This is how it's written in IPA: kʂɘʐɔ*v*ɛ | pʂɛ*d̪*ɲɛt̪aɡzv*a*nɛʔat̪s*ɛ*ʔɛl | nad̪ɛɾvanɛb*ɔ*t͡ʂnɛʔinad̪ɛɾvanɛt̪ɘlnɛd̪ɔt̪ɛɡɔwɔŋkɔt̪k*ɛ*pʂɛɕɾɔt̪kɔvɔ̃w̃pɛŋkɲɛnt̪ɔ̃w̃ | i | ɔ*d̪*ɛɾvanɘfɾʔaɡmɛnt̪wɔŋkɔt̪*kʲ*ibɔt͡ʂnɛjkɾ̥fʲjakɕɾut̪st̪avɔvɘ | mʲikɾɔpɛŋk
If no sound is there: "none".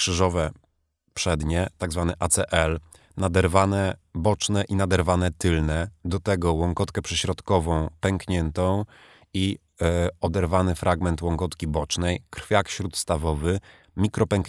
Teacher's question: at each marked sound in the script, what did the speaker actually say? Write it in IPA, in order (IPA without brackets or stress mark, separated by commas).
v, d̪, a, ɛ, ɔ, ɛ, d̪, kʲ